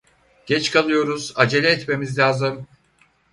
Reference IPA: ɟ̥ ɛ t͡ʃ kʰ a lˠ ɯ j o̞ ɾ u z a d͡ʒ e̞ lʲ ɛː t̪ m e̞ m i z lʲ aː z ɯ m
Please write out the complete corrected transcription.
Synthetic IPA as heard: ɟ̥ ɛ t͡ʃ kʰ a lˠ ɯ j o̞ ɾ u z a d͡ʒ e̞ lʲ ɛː t̪ m e̞ m i z lʲ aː z ɯ m